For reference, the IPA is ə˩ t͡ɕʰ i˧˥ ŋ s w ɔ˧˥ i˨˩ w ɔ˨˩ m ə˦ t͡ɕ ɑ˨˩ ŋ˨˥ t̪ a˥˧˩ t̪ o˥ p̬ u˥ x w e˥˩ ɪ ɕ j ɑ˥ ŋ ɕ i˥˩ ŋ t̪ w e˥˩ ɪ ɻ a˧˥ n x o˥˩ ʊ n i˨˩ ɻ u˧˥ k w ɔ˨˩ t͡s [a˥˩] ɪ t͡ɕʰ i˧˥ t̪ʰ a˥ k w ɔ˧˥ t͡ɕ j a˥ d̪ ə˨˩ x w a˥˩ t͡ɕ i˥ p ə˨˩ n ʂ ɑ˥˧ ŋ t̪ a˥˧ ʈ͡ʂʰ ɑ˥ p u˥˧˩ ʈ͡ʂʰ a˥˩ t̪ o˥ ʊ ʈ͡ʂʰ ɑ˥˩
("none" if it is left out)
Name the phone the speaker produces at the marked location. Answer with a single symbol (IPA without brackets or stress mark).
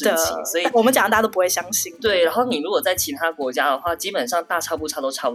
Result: a˥˩